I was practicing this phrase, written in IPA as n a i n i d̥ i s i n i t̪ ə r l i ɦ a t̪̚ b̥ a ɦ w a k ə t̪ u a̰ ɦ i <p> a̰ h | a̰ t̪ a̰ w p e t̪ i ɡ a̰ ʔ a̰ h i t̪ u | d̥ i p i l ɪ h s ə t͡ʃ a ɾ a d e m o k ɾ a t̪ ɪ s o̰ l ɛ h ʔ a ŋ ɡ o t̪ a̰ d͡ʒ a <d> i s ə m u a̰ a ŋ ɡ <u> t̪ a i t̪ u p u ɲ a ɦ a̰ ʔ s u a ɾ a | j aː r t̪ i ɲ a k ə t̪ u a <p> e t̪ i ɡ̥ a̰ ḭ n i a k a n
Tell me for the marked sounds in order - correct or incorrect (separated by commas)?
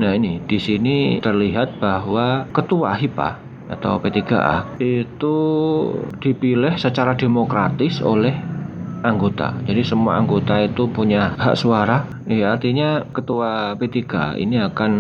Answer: correct, correct, incorrect, correct